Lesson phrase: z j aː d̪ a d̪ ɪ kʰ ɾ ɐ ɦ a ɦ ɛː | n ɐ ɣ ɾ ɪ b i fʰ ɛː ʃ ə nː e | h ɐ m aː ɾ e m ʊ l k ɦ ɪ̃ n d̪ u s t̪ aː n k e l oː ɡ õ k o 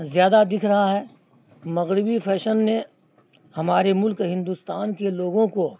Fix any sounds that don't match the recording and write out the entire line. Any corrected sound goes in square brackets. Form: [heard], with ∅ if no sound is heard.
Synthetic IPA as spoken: z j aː d̪ a d̪ ɪ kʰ ɾ ɐ ɦ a ɦ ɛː | [m] ɐ ɣ ɾ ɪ b i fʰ ɛː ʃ ə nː e | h ɐ m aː ɾ e m ʊ l k ɦ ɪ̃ n d̪ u s t̪ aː n k e l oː ɡ õ k o